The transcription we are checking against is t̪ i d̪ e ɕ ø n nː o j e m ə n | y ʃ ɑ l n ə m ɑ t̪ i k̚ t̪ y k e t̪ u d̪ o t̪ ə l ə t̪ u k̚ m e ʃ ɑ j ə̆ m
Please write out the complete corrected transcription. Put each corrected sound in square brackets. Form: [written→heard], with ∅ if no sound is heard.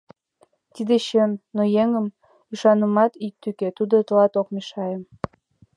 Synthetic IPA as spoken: t̪ i d̪ e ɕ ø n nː o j e [m→ŋ] ə [n→m] | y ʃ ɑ [l→∅] n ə m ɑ t̪ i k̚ t̪ y k e t̪ u d̪ o t̪ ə l [ə→ɑ] t̪ [u→o] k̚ m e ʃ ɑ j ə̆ m

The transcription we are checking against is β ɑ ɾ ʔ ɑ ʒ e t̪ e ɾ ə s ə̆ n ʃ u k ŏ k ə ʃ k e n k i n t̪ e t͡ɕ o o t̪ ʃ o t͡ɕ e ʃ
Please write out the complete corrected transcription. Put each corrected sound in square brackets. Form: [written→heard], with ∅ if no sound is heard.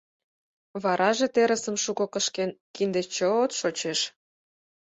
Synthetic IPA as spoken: β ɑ ɾ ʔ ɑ ʒ e t̪ e ɾ ə s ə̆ [n→m] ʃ u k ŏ k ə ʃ k e n k i n [t̪→d̪] e t͡ɕ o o t̪ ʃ o t͡ɕ e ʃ

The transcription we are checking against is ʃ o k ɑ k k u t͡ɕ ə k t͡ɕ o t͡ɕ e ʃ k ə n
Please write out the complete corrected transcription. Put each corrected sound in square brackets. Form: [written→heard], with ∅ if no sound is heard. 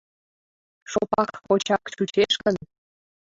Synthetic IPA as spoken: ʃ o [k→p] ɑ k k [u→o] t͡ɕ [ə→ɑ] k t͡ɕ [o→u] t͡ɕ e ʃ k ə n

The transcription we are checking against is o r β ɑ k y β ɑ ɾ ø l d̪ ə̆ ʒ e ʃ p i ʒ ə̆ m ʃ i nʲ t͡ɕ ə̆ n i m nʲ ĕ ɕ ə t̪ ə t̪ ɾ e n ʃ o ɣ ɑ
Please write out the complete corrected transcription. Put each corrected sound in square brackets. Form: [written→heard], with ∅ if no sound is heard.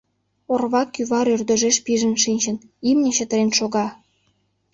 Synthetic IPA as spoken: o r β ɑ k y β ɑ ɾ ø [l→r] d̪ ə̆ ʒ e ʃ p i ʒ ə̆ [m→n] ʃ i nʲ t͡ɕ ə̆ n i m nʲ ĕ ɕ ə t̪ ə [t̪→∅] ɾ e n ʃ o ɣ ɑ

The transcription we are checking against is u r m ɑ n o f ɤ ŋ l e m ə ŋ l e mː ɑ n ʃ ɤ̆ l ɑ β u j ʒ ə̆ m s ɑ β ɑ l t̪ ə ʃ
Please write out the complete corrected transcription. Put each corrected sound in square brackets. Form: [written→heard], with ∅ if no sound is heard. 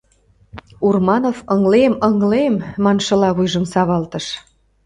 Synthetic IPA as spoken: u r m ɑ n o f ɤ ŋ l e m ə ŋ l e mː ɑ n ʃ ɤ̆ l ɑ β u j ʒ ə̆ m s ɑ β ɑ l t̪ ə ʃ

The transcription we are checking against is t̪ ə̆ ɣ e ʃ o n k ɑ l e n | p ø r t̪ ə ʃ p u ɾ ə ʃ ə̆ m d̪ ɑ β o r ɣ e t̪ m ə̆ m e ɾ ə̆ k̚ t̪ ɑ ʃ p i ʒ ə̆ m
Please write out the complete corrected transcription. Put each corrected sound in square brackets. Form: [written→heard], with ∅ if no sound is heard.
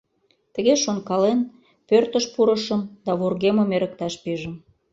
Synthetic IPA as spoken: t̪ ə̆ ɣ e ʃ o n k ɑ l e n | p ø r t̪ ə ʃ p u ɾ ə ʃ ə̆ m d̪ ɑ β o r ɣ e [t̪→∅] m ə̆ m e ɾ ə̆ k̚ t̪ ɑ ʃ p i ʒ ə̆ m

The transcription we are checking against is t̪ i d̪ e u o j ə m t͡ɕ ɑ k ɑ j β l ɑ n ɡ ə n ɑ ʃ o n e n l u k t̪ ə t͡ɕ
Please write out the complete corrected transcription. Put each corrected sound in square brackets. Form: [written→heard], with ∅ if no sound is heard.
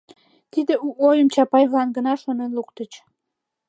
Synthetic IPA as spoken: t̪ i d̪ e u o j ə m t͡ɕ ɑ [k→p] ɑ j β l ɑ n ɡ ə n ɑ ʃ o n e n l u k t̪ ə t͡ɕ

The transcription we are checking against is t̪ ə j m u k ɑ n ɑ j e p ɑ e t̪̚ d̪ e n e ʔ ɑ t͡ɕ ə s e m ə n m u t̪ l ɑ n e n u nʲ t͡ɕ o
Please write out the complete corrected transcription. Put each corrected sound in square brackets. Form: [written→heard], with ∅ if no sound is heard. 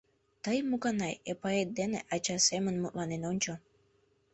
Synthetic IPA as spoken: t̪ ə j m u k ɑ n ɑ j e p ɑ e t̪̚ d̪ e n e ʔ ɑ t͡ɕ [ə→ɑ] s e m ə n m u t̪ l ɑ n e n [u→o] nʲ t͡ɕ o

